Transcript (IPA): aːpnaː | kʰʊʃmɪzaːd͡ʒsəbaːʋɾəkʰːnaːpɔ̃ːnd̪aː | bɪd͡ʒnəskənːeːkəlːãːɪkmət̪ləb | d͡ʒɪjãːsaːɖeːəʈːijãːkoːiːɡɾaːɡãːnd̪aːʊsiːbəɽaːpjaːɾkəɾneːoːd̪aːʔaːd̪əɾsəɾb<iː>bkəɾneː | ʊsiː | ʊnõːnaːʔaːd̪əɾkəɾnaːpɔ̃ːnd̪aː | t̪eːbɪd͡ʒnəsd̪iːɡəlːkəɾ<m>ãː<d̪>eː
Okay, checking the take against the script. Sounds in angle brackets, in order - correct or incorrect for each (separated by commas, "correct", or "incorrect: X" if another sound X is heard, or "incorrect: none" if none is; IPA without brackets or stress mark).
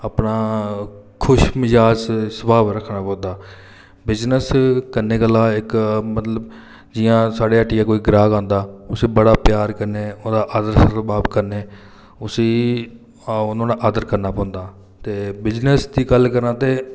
incorrect: aː, incorrect: n, incorrect: t̪